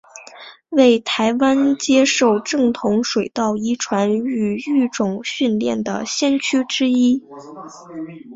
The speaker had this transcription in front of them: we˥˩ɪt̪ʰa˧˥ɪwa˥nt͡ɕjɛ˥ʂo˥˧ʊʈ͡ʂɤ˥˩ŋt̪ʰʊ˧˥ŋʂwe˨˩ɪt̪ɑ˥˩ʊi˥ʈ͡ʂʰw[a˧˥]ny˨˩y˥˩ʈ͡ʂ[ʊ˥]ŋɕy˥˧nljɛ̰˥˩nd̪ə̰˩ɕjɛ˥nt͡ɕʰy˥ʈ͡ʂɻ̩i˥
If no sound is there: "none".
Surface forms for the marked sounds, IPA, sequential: a˧˥, ʊ˨˩

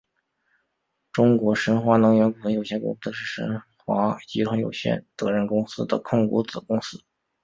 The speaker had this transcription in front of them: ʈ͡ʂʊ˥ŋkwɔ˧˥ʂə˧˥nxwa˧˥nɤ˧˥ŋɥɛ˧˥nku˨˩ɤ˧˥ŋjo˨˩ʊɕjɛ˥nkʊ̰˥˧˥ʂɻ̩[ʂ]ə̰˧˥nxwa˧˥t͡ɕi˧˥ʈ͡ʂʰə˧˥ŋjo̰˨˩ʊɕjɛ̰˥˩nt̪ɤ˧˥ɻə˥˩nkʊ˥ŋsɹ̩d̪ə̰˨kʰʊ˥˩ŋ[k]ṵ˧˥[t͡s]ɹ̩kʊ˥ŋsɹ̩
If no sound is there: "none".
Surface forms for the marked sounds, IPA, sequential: ʂ, k, t͡s

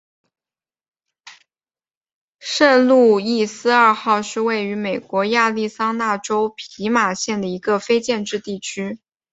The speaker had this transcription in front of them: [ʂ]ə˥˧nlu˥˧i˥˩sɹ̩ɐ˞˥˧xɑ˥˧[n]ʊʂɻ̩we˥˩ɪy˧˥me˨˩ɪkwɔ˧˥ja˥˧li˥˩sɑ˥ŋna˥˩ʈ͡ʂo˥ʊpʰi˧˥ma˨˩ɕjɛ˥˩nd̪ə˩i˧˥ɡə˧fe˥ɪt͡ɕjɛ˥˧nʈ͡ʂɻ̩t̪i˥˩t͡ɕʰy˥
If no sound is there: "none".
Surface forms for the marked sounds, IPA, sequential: ʂ, none

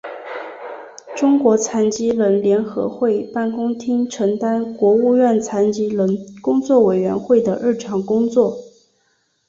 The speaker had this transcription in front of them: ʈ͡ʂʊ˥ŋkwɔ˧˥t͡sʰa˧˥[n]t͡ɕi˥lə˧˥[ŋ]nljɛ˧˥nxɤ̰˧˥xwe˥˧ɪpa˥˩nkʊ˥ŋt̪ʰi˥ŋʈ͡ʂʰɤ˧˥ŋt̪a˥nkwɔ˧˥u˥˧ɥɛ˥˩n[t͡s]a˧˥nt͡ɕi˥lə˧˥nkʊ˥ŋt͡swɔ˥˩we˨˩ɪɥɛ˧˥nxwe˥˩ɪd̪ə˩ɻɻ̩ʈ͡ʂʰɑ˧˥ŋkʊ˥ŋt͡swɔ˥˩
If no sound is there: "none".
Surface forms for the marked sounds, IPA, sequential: n, none, t͡sʰ

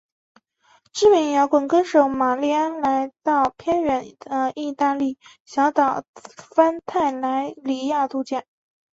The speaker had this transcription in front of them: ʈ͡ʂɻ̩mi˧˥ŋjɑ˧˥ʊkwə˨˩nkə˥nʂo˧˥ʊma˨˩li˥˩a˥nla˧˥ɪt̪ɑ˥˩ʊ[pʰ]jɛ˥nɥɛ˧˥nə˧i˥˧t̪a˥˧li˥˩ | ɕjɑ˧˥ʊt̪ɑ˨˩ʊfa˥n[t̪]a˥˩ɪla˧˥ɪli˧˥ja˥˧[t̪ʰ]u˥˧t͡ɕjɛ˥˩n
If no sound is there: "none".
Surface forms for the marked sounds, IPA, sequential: pʰ, t̪ʰ, t̪

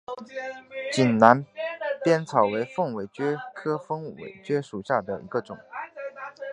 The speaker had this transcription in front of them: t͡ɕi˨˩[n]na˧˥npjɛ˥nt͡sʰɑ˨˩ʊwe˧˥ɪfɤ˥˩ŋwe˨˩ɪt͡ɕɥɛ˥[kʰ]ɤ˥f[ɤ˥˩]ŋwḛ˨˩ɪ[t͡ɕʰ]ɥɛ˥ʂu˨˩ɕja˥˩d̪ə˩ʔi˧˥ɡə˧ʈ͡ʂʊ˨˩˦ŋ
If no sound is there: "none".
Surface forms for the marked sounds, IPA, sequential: n, kʰ, ɤ˥, t͡ɕ

